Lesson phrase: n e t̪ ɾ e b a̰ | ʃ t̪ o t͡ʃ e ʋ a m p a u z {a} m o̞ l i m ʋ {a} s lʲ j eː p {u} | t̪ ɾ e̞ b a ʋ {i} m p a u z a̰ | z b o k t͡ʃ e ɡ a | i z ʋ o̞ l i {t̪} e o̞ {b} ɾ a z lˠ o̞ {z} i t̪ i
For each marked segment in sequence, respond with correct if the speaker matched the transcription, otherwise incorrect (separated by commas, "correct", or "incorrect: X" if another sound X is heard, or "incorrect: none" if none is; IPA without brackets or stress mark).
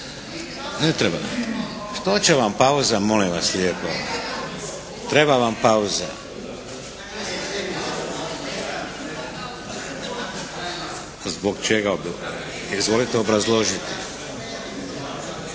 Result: correct, correct, incorrect: o, incorrect: a, correct, correct, incorrect: ʒ